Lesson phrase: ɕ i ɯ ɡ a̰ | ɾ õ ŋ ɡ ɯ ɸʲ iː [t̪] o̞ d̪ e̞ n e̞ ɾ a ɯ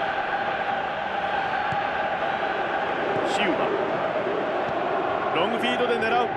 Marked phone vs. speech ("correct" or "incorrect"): incorrect